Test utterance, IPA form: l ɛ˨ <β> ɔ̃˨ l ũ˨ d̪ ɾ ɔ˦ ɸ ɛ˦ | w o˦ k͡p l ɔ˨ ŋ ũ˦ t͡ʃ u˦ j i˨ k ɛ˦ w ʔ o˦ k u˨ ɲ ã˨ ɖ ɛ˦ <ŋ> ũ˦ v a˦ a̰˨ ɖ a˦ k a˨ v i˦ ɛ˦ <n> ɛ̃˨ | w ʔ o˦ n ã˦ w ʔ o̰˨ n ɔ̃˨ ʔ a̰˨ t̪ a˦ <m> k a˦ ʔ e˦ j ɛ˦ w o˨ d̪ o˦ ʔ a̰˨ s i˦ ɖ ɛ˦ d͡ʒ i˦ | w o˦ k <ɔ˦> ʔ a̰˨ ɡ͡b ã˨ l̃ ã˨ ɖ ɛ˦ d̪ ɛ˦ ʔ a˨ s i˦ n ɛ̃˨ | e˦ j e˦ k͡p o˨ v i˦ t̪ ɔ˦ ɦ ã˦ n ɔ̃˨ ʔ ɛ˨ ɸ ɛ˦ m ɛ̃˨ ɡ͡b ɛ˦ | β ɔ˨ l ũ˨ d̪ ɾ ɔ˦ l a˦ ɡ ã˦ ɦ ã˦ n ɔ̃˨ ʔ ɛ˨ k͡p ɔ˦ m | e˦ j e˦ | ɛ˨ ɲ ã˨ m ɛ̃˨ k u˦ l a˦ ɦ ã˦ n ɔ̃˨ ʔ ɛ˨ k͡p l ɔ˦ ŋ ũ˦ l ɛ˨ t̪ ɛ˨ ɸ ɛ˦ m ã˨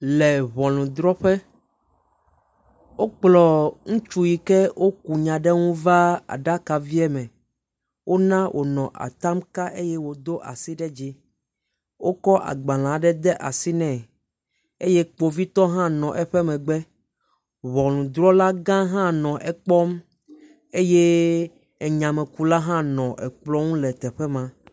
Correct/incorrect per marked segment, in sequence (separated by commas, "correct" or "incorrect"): correct, correct, incorrect, correct, correct